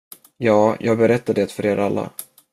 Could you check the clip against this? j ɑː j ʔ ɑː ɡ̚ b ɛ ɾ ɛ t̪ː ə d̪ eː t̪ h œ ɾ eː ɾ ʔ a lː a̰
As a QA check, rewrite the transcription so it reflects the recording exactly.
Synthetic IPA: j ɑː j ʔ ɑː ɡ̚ b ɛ ɾ ɛ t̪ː a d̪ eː t̪ f œ ɾ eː ɾ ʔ a lː a̰